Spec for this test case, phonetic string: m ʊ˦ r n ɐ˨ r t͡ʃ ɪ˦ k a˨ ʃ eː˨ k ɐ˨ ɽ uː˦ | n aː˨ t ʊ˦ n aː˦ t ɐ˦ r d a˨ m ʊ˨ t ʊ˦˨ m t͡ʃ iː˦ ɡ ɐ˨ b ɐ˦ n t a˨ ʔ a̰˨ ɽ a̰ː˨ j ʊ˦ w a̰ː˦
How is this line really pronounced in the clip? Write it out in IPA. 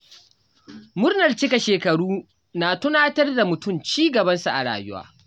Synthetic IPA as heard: m ʊ˦ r n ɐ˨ r t͡ʃ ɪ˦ k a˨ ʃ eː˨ k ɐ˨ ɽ uː˦ | n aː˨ t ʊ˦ n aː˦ t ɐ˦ r d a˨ m ʊ˨ t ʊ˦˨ m t͡ʃ iː˦ ɡ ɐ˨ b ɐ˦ n s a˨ ʔ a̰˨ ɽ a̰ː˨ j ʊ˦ w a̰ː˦